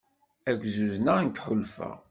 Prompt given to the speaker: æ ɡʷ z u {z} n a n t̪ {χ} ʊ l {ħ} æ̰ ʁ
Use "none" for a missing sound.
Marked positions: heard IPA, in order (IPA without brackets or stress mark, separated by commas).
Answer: z, ħ, f